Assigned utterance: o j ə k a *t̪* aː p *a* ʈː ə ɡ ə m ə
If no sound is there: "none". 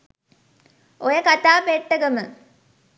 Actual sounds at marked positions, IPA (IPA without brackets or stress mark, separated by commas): t̪, e